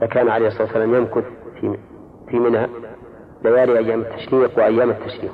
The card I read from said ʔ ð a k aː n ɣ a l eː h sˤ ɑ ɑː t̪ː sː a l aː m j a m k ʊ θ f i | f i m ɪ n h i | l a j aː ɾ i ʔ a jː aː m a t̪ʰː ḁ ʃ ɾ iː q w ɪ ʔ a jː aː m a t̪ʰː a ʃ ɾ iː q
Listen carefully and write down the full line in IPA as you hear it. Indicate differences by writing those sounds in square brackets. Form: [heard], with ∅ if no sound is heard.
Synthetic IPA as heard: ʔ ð a k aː n [ʕ] a l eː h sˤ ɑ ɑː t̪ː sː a l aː m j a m k ʊ θ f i | f i m ɪ n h [a] | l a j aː ɾ i ʔ a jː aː m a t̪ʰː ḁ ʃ ɾ iː q w ɪ ʔ a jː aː m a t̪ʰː a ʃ ɾ iː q